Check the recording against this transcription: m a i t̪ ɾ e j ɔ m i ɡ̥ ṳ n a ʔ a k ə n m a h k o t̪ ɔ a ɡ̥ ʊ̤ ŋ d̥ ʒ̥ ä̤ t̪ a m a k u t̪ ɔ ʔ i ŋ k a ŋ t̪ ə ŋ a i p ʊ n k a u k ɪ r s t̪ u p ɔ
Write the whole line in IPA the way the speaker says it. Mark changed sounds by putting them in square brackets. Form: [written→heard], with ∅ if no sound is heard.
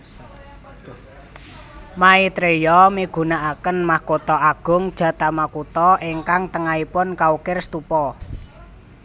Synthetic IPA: m a i t̪ ɾ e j ɔ m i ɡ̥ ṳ n a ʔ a k ə n m a h k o t̪ ɔ a ɡ̥ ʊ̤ ŋ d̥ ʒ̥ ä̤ t̪ a m a k u t̪ ɔ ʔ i ŋ k a ŋ t̪ ə ŋ a i p ʊ n k a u k ɪ r s t̪ u p ɔ